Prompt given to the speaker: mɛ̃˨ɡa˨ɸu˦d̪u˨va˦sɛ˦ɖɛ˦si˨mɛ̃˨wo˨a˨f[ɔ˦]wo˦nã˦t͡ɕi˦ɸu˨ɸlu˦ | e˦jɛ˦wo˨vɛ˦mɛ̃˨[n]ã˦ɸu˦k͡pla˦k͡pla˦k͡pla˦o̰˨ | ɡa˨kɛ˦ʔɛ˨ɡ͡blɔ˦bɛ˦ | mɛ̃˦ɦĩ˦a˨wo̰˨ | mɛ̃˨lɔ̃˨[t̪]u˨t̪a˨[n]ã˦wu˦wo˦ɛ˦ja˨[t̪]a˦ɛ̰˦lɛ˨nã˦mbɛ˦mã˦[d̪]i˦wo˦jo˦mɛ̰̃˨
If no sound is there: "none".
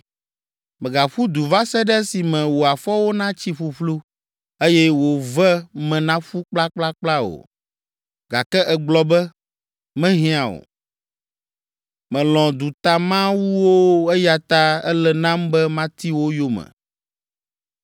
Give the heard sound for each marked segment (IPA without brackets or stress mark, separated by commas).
ɔ˦, n, d̪, m, t̪, t̪